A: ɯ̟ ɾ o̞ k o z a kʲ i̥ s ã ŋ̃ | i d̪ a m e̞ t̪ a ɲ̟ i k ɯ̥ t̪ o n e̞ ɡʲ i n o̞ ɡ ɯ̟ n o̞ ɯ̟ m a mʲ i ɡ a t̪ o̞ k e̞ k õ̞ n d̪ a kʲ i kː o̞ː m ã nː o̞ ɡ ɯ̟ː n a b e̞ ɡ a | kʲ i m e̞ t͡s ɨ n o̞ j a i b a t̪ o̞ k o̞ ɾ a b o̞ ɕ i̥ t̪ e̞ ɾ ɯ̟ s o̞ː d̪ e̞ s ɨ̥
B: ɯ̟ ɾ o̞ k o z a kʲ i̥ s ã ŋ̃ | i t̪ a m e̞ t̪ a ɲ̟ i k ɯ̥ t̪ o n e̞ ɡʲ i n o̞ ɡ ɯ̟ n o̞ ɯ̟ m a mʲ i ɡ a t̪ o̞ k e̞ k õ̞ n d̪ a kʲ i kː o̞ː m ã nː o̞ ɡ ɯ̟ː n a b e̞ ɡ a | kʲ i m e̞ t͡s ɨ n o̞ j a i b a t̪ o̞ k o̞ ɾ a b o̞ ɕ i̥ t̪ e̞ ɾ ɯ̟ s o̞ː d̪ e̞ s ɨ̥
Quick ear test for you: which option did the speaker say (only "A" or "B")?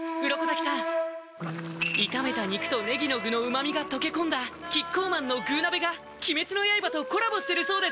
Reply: B